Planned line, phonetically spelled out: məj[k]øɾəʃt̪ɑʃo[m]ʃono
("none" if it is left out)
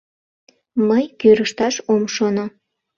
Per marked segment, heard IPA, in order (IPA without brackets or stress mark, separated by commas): k, m